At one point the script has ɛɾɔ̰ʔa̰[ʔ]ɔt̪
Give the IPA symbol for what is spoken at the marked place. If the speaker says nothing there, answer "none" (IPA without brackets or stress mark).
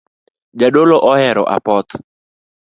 p